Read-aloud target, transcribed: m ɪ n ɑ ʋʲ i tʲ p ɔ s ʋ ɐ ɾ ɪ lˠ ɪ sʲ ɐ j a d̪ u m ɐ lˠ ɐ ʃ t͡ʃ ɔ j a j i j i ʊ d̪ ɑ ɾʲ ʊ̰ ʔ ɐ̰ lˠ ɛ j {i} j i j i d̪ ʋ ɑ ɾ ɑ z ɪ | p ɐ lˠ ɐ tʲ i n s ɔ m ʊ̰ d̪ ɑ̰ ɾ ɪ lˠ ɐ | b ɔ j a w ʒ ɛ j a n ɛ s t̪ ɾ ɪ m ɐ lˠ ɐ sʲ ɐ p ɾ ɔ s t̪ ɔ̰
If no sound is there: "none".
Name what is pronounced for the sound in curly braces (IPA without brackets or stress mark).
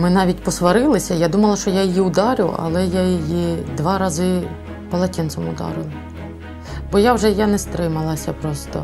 a